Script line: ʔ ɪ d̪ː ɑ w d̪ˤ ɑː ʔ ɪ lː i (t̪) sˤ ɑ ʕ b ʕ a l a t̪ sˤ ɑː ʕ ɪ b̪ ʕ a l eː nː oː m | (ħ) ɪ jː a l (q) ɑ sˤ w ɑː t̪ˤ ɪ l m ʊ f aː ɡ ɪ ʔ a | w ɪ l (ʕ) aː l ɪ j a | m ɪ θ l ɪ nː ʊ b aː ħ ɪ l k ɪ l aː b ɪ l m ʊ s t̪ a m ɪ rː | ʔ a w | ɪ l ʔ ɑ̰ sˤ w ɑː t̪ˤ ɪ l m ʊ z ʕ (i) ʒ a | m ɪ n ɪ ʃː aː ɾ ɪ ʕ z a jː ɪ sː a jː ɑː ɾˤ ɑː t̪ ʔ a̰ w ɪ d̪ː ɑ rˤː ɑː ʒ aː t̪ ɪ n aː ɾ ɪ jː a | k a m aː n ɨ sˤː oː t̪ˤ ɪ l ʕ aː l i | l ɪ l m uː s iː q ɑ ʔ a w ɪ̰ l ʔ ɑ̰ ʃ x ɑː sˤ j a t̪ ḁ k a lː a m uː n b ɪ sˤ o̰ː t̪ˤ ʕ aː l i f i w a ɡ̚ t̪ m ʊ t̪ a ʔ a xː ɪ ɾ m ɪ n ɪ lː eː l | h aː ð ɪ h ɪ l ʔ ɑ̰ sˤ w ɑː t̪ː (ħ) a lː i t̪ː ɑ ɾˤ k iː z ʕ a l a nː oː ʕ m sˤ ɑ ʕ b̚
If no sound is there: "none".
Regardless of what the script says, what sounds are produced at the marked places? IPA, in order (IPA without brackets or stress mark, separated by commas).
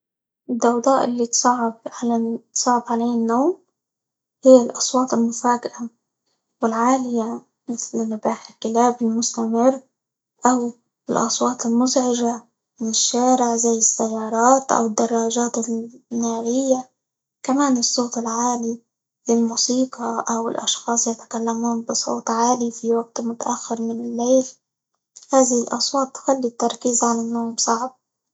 t̪, h, ʔ, ʕ, ɪ, x